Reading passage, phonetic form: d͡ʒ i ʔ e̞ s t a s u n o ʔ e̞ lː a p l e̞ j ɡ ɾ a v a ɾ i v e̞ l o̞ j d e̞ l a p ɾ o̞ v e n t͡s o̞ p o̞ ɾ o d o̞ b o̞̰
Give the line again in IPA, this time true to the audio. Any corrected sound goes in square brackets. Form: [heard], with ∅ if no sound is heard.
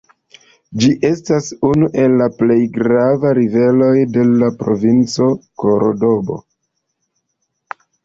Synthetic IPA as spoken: d͡ʒ i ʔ e̞ s t a s u n [u] ʔ e̞ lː a p l e̞ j ɡ ɾ a v a ɾ i v e̞ l o̞ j d e̞ l a p ɾ o̞ v [i] n t͡s o̞ [k] o̞ ɾ o d o̞ b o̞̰